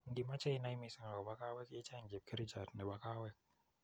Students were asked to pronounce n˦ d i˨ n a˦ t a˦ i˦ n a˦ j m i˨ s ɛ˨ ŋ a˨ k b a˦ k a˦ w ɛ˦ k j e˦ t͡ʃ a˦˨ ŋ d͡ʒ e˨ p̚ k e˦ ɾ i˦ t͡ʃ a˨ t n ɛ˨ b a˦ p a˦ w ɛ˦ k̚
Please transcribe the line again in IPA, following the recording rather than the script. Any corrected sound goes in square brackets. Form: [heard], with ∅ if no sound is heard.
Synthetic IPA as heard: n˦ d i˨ [m] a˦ [t͡ʃ] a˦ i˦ n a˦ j m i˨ s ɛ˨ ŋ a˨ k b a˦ k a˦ w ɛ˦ k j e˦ t͡ʃ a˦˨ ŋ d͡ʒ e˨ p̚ k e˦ ɾ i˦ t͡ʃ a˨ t n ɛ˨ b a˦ [k] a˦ w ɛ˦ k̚